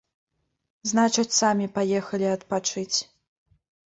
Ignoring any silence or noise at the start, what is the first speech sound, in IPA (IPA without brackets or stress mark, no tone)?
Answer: z